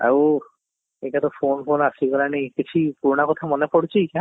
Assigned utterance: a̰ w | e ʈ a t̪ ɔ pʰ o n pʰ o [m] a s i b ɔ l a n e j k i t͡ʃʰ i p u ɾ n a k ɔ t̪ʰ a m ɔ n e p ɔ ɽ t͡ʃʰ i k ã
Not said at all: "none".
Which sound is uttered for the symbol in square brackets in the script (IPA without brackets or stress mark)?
n